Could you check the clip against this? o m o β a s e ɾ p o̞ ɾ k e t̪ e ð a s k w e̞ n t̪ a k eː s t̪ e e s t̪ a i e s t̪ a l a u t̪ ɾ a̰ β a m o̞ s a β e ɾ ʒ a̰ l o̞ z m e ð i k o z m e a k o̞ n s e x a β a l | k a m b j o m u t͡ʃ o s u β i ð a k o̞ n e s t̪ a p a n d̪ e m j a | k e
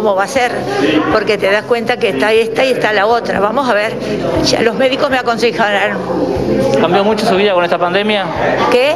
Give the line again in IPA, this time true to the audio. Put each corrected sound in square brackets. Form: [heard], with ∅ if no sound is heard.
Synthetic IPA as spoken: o m o β a s e ɾ p o̞ ɾ k e t̪ e ð a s k w e̞ n t̪ a k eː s t̪ [a] e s t̪ a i e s t̪ a l a [o] t̪ ɾ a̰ β a m o̞ s a β e ɾ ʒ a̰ l o̞ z m e ð i k o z m e a k o̞ n s e x a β a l | k a m b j o m u t͡ʃ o s u β i ð a k o̞ n e s t̪ a p a n d̪ e m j a | k e

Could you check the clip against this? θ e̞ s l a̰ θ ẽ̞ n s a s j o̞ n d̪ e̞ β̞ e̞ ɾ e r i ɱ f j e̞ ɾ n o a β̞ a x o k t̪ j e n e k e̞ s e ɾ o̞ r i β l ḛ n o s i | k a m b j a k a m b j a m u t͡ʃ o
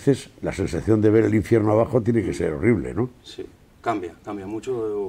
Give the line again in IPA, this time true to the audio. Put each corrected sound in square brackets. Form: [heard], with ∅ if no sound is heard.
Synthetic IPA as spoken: θ e̞ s l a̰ [s] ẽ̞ n s a [θ] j o̞ n d̪ e̞ β̞ e̞ ɾ e [l] i ɱ f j e̞ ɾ n o a β̞ a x o [∅] t̪ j e n e k e̞ s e ɾ o̞ r i β l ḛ n o s i | k a m b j a k a m b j a m u t͡ʃ o

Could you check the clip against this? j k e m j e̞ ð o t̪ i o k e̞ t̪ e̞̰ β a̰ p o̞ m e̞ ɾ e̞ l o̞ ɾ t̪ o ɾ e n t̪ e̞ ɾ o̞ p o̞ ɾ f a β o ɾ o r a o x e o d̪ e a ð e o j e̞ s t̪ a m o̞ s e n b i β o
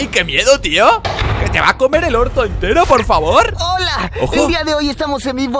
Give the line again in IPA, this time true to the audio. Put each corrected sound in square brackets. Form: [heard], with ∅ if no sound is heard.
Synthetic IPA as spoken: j k e m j e̞ ð o t̪ i o k e̞ t̪ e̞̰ β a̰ [k] o̞ m e̞ ɾ e̞ l o̞ ɾ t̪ o [∅] e n t̪ e̞ ɾ o̞ p o̞ ɾ f a β o ɾ o [l] a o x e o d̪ [i] a ð e o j e̞ s t̪ a m o̞ s e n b i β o

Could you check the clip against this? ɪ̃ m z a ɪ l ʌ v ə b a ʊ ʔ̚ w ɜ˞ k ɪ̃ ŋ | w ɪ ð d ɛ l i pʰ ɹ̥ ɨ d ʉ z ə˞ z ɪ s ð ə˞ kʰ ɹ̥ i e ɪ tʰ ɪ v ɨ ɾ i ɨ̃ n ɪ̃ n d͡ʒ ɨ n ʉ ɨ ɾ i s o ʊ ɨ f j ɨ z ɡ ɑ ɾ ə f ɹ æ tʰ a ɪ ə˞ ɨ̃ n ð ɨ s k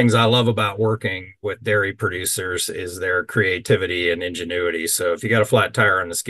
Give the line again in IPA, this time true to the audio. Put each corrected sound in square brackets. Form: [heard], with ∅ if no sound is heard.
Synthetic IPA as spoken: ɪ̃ [ŋ] z a ɪ l ʌ v ə b a ʊ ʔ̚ w ɜ˞ k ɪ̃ ŋ | w ɪ ð d ɛ [ɹ] i pʰ ɹ̥ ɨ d ʉ [s] ə˞ z ɪ [z] ð ə˞ kʰ ɹ̥ i e ɪ tʰ ɪ v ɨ ɾ i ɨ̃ n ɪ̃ n d͡ʒ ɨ n ʉ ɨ ɾ i s o ʊ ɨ f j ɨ [∅] ɡ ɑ ɾ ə f [l] æ tʰ a ɪ ə˞ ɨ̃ n ð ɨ s k

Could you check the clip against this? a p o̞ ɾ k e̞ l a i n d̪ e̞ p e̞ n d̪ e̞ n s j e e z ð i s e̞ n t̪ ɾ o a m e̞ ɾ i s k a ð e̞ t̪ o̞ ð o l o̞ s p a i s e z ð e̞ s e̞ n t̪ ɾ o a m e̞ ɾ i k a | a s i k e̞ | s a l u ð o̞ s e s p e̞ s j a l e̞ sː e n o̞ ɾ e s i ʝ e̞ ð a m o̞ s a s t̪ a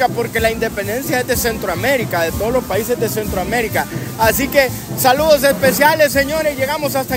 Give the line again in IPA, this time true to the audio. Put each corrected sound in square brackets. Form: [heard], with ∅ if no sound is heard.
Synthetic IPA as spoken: a p o̞ ɾ k e̞ l a i n d̪ e̞ p e̞ n d̪ e̞ n s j [a] e z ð [e] s e̞ n t̪ ɾ o a m e̞ ɾ i [∅] k a ð e̞ t̪ o̞ ð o l o̞ s p a i s e z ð e̞ s e̞ n t̪ ɾ o a m e̞ ɾ i k a | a s i k e̞ | s a l u ð o̞ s e s p e̞ s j a l e̞ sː e [ɲ] o̞ ɾ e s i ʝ e̞ [ɣ] a m o̞ s a s t̪ a

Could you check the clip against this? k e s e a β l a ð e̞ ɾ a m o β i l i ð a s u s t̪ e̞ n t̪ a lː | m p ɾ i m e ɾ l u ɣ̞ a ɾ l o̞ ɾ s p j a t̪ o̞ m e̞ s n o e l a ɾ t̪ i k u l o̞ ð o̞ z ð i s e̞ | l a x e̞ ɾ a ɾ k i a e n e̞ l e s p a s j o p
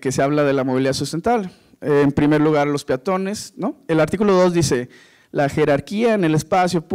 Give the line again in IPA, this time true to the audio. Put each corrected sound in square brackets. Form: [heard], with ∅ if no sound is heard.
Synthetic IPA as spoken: k e s e a β l a ð e̞ [l] a m o β i l i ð a s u s t̪ e̞ n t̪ a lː | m p ɾ i m e ɾ l u ɣ̞ a ɾ l o̞ [∅] s p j a t̪ o̞ [n] e̞ s n o e l a ɾ t̪ i k u l o̞ ð o̞ z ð i s e̞ | l a x e̞ ɾ a ɾ k i a e n e̞ l e s p a s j o p

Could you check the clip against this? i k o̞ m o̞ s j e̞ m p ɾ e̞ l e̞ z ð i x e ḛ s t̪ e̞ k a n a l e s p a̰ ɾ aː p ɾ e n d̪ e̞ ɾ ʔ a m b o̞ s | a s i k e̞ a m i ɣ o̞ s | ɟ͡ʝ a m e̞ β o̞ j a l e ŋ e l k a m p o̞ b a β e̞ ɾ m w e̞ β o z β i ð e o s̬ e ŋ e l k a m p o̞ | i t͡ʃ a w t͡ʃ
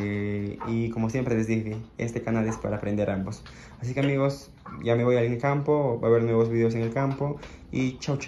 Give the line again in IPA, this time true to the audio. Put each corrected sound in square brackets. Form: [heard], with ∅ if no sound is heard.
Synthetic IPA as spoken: i k o̞ m o̞ s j e̞ m p ɾ e̞ l e̞ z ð i x e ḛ s t̪ e̞ k a n a l e s p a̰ ɾ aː p ɾ e n d̪ e̞ ɾ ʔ a m b o̞ s | a s i k e̞ a m i ɣ o̞ s | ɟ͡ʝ a m e̞ β o̞ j a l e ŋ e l k a m p o̞ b a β e̞ ɾ [n] w e̞ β o z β i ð e o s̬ e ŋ e l k a m p o̞ | i t͡ʃ a w t͡ʃ

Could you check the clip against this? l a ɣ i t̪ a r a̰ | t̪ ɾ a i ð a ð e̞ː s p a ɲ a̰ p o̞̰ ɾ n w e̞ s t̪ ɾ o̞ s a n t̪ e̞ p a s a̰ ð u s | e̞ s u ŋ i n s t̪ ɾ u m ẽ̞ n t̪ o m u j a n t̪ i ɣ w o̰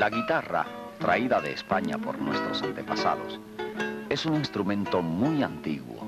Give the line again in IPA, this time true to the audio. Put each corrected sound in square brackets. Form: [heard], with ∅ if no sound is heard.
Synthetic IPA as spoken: l a ɣ i t̪ a r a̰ | t̪ ɾ a i ð a ð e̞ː s p a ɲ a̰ p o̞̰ ɾ n w e̞ s t̪ ɾ o̞ s a n t̪ e̞ p a s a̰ ð [o] s | e̞ s u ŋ i n s t̪ ɾ u m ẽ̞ n t̪ o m u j a n t̪ i ɣ w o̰

